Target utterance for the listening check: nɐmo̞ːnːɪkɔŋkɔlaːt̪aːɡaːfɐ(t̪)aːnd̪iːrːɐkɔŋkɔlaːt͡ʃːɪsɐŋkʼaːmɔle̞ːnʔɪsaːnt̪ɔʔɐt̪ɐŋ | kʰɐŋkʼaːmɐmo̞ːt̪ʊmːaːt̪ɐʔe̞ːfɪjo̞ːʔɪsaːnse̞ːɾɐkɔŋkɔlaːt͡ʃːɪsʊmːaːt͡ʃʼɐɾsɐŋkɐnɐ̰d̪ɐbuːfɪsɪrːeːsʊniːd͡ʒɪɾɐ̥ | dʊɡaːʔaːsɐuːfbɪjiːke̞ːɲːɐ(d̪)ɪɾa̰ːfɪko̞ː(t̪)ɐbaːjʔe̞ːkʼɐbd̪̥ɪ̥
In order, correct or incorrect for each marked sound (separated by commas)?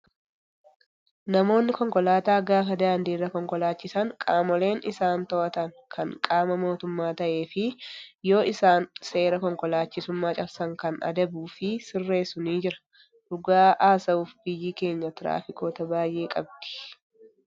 incorrect, incorrect, correct